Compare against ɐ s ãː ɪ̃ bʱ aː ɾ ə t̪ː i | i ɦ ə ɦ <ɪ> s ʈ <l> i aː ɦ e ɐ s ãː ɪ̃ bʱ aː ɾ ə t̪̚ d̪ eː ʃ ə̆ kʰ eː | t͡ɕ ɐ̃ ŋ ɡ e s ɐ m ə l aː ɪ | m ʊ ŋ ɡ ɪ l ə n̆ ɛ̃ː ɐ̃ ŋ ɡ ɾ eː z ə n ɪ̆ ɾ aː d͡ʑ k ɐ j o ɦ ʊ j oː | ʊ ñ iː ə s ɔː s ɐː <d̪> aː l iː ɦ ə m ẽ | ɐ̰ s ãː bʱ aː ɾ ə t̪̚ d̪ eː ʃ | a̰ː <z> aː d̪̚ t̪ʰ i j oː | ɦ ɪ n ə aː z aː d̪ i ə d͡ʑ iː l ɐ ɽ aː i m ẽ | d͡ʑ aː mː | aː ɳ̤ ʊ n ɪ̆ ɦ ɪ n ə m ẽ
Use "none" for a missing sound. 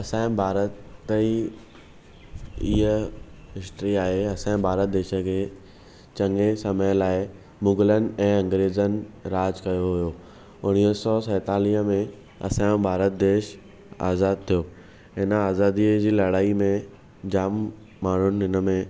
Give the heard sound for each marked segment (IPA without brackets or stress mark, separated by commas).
ɪ, ɾ, t̪, z